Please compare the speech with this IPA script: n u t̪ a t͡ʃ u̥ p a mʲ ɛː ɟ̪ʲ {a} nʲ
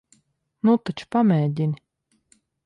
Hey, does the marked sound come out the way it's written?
no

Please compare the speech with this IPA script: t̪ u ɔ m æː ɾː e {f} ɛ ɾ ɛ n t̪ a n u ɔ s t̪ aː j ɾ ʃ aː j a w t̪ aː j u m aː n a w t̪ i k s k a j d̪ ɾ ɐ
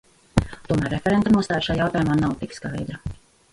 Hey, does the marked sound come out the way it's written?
yes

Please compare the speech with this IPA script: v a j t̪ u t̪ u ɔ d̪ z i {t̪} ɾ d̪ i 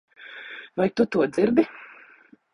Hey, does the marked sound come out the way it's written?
no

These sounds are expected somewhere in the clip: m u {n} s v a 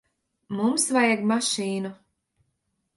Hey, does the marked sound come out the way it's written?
no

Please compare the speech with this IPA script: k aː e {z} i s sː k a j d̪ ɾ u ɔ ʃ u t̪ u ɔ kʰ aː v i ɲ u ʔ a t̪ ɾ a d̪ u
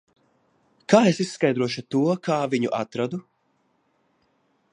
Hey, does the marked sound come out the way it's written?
no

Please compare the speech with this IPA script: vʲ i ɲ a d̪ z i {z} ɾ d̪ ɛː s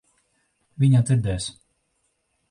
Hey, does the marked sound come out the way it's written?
no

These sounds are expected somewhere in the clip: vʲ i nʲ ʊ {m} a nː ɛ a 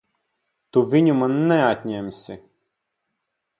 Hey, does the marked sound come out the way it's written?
yes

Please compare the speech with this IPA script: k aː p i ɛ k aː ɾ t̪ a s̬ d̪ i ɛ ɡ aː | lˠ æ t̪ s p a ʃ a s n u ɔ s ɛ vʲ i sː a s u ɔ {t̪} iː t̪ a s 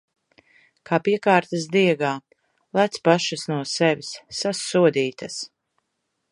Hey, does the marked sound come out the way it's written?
no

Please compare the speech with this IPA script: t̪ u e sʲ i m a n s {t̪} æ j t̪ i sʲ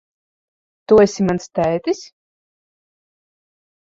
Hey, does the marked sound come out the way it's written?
yes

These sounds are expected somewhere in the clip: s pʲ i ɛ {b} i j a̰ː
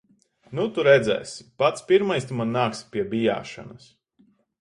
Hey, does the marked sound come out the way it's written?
yes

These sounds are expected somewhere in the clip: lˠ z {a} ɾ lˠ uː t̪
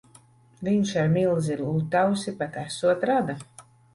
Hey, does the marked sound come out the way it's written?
no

